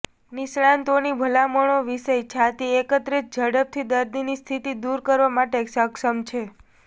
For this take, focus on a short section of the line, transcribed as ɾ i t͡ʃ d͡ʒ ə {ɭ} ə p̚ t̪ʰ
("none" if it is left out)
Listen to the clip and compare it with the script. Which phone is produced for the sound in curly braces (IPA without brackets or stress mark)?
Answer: ɽ